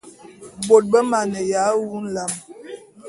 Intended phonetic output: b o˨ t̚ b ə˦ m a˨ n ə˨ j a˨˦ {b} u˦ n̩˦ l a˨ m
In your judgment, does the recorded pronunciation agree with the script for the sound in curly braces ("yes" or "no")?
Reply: no